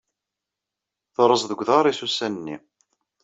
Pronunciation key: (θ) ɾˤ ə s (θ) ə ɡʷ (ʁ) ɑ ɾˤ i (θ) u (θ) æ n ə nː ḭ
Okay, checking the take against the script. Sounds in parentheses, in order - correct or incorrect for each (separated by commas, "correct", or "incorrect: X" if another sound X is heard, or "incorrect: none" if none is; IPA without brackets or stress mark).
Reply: correct, incorrect: ð, incorrect: ð, incorrect: s, incorrect: s